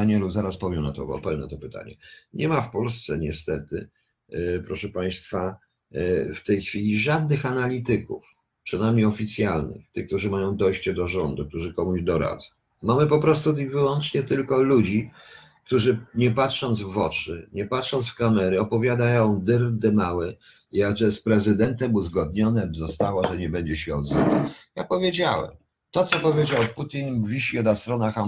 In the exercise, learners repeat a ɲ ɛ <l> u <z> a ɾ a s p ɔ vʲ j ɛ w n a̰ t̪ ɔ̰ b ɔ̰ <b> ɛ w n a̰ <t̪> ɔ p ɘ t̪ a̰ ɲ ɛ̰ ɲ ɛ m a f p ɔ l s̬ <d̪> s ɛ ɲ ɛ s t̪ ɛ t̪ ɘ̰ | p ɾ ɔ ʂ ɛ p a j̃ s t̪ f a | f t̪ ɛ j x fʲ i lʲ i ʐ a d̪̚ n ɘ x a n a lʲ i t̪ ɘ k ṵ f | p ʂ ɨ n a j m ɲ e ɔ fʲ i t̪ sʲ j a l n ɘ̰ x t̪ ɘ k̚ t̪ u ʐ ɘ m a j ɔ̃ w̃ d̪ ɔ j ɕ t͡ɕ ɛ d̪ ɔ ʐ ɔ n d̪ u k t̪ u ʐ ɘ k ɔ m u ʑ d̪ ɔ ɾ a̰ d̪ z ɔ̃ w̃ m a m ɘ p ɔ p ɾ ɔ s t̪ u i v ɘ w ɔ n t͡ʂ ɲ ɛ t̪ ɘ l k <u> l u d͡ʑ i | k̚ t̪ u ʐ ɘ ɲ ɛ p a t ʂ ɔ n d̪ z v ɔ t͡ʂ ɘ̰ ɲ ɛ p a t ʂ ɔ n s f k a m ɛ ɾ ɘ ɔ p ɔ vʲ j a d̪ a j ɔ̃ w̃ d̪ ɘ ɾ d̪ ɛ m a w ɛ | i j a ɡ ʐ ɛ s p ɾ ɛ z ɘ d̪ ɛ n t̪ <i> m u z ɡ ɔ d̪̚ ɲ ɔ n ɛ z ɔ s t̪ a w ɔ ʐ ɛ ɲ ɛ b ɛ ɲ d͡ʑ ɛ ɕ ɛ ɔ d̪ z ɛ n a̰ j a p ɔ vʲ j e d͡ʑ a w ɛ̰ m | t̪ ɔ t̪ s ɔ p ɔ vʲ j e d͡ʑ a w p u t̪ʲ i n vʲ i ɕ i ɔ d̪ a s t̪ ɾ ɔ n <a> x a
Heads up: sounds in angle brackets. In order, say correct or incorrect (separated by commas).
correct, correct, incorrect, correct, incorrect, incorrect, incorrect, correct